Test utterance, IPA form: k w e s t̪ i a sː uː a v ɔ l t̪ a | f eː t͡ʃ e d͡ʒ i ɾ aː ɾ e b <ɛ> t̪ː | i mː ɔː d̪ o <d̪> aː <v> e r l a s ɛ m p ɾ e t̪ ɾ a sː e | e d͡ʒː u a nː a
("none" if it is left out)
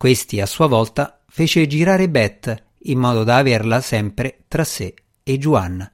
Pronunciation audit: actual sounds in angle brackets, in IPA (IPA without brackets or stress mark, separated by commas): ɛ, d̪, v